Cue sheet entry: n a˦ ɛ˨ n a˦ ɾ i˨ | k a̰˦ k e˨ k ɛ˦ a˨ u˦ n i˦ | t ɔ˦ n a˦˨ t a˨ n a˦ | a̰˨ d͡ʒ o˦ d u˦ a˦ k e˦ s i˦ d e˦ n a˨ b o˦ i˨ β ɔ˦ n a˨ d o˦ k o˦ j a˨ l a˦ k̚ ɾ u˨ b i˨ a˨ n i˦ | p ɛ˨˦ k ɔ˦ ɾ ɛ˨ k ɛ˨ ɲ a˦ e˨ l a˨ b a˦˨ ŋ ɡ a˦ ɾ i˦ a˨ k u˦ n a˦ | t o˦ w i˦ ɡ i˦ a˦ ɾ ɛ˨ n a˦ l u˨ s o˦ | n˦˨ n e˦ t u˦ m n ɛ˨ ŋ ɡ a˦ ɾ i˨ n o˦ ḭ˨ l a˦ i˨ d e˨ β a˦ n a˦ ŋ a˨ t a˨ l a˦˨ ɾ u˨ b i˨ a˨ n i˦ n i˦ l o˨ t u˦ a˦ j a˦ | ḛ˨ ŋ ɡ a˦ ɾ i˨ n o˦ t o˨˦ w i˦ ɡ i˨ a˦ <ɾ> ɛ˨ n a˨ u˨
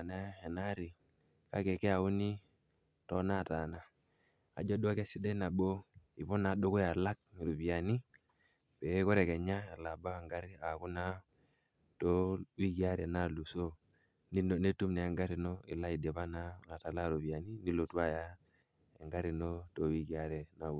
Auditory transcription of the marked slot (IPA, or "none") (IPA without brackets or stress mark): ɾ